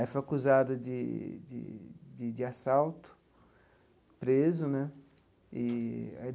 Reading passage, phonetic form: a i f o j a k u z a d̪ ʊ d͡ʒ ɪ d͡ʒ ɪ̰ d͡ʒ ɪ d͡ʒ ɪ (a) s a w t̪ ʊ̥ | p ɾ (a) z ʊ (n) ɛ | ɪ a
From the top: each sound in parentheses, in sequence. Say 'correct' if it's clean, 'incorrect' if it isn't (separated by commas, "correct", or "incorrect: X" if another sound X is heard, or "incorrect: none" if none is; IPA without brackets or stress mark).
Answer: correct, incorrect: e, correct